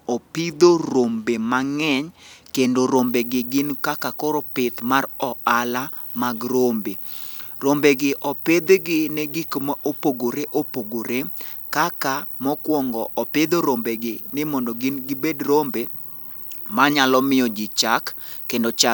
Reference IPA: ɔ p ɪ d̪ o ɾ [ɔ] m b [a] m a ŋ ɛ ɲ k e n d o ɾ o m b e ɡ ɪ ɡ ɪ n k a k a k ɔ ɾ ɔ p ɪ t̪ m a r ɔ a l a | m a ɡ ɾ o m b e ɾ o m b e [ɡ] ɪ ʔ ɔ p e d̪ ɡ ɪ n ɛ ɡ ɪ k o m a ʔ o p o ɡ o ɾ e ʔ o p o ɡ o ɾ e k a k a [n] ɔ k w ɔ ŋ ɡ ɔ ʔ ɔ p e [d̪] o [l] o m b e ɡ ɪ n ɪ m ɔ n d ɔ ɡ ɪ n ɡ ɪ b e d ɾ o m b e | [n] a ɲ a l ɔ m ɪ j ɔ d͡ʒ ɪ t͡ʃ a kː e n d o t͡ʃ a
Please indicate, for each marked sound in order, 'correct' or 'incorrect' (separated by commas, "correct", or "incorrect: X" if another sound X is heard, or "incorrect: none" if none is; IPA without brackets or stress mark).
incorrect: o, incorrect: e, correct, incorrect: m, correct, incorrect: ɾ, incorrect: m